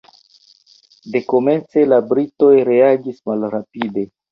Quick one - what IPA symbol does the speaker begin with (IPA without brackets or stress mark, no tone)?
d